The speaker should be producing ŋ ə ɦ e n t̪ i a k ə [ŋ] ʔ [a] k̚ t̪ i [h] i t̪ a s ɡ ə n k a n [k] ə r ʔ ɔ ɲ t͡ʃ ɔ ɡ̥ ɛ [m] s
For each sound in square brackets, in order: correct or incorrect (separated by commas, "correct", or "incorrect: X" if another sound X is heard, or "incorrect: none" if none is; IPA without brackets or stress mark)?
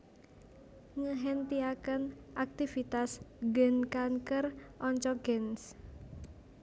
incorrect: n, correct, incorrect: f, correct, incorrect: n